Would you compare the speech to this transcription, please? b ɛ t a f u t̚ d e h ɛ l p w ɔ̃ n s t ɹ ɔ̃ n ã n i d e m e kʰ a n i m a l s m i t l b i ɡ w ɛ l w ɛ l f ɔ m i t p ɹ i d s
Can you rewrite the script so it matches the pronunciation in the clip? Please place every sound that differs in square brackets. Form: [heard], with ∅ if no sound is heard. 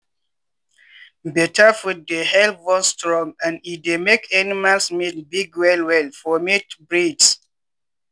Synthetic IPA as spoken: b ɛ t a f u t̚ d e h ɛ l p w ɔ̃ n s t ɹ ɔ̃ [ŋ] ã n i d e m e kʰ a n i m a l s m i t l b i ɡ w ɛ l w ɛ l f ɔ m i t [b] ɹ i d s